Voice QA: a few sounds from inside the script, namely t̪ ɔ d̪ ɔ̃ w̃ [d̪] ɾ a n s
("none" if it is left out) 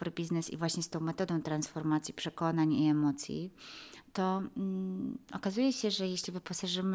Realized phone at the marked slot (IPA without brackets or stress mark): t̪